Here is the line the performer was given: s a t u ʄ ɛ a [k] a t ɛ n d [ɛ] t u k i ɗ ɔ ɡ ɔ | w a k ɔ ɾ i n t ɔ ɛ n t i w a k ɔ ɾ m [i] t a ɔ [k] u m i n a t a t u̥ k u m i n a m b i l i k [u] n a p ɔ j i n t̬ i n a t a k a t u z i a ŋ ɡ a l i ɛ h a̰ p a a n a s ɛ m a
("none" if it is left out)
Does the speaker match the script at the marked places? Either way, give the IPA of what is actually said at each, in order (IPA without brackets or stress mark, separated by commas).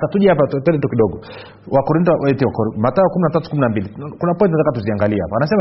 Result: p, ɛ, a, k, u